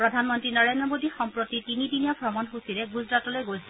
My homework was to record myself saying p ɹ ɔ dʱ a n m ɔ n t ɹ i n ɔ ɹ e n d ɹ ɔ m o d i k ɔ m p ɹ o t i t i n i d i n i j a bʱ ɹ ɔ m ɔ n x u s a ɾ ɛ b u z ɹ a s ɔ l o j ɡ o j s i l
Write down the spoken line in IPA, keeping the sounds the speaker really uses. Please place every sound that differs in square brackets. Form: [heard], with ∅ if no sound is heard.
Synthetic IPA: p ɹ ɔ dʱ a n m ɔ n t ɹ i n ɔ ɹ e n d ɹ ɔ m o d i [x] ɔ m p ɹ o t i t i n i d i n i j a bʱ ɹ ɔ m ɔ n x u s [i] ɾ ɛ [ɡ] u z ɹ a [t] ɔ l o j ɡ o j s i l